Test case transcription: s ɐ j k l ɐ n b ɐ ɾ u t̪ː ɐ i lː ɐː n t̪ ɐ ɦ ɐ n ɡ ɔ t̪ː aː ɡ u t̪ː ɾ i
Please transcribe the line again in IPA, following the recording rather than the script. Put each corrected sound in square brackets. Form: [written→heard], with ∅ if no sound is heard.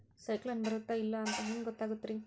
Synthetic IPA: s ɐ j k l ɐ n b ɐ ɾ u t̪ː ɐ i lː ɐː n t̪ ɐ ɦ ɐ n ɡ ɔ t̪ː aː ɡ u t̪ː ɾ i